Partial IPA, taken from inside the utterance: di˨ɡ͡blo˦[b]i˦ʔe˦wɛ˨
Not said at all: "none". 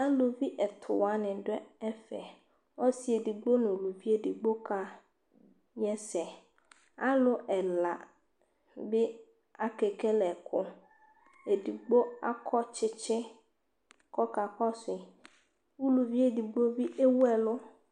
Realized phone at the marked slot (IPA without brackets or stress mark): v